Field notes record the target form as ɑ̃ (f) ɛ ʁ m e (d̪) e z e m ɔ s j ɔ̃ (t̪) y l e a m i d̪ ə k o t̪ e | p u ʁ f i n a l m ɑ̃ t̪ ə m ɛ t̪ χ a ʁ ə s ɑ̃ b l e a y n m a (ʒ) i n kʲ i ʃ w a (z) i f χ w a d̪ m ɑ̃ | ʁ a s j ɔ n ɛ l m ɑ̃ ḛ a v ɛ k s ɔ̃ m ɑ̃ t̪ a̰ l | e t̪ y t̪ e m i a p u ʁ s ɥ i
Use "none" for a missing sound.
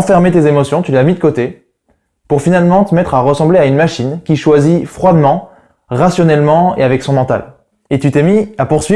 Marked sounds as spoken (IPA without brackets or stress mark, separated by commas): f, t̪, t̪, ʃ, z